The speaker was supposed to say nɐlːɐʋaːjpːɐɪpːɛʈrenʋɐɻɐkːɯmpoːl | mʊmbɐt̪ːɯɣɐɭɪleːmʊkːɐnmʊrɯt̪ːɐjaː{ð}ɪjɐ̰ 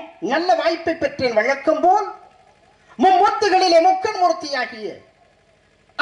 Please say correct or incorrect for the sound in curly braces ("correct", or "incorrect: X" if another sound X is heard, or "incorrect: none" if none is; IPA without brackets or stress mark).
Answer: incorrect: ɣ